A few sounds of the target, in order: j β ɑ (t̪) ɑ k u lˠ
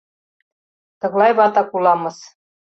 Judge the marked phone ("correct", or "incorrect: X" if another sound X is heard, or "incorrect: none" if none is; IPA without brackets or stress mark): correct